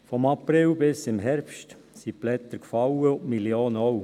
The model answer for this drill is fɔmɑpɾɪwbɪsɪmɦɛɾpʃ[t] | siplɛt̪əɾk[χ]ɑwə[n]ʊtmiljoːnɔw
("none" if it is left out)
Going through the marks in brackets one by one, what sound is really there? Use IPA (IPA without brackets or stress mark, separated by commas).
t, f, none